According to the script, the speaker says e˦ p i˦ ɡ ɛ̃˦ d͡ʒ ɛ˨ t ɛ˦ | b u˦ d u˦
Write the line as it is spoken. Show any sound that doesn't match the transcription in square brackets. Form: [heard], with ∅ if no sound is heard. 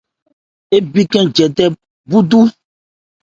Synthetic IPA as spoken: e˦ [b] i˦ [k] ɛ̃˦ d͡ʒ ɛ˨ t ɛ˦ | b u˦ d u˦